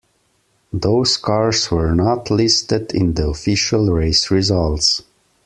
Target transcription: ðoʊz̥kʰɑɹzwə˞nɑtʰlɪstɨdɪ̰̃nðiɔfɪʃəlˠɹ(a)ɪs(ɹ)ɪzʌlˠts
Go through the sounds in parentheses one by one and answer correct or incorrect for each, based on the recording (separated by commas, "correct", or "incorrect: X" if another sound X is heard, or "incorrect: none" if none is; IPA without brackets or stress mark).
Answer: incorrect: e, correct